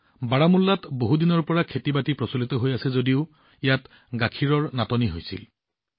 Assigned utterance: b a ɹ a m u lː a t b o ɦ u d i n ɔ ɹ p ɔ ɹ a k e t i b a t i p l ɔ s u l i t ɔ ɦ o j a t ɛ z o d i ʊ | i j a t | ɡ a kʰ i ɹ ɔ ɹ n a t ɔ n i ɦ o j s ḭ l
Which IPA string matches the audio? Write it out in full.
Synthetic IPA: b a ɹ a m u lː a t b o ɦ u d i n ɔ ɹ p ɔ ɹ a kʰ e t i b a t i p ɹ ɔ s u l i t ɔ ɦ o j a s ɛ z o d i ʊ | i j a t | ɡ a kʰ i ɹ ɔ ɹ n a t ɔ n i ɦ o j s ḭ l